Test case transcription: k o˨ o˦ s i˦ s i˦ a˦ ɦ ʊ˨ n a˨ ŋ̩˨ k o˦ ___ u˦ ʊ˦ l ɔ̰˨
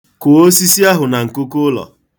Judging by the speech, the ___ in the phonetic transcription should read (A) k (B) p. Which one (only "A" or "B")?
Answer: A